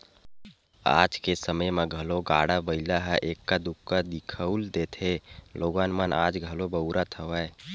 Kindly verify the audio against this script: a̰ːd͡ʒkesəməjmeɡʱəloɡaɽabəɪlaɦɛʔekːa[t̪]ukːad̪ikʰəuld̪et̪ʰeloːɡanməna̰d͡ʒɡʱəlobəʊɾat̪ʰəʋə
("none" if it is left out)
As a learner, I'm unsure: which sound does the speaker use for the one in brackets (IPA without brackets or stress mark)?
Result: d̪